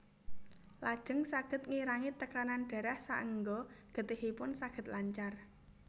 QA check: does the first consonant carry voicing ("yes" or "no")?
yes